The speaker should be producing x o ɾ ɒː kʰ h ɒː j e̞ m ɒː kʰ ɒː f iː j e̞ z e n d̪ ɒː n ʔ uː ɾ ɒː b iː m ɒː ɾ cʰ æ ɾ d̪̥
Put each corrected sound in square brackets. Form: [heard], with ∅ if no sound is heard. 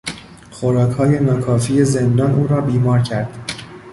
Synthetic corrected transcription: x o ɾ ɒː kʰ h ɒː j e̞ [n] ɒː kʰ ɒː f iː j e̞ z e n d̪ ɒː n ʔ uː ɾ ɒː b iː m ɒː ɾ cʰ æ ɾ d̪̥